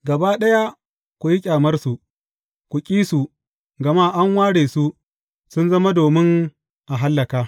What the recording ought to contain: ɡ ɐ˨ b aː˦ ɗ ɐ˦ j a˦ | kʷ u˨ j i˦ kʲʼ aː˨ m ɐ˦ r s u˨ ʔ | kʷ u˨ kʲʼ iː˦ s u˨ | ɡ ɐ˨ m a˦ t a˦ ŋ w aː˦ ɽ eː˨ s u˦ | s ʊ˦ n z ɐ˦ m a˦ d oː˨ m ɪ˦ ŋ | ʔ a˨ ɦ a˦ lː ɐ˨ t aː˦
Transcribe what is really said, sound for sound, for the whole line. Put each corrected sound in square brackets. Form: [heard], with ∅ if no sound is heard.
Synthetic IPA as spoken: ɡ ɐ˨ b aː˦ ɗ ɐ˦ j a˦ | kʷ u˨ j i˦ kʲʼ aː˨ m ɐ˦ r s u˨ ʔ | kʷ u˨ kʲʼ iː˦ s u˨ | ɡ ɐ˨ m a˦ [ʔ] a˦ ŋ w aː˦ ɽ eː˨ s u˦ | s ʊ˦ n z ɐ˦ m a˦ d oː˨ m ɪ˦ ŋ | ʔ a˨ ɦ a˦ lː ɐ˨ [k] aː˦